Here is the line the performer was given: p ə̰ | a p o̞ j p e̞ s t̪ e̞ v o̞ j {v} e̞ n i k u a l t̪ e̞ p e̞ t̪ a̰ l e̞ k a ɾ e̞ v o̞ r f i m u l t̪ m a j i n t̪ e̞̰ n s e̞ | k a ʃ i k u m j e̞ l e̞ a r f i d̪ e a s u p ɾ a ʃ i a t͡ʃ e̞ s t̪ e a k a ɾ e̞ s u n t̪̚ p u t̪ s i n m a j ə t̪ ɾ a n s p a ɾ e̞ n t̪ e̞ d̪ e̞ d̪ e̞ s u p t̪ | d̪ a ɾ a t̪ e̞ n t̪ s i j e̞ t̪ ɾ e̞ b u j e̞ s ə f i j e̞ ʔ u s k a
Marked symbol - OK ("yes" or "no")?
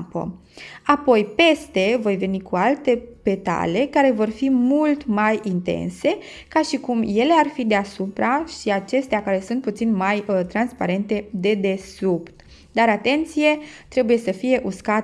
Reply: yes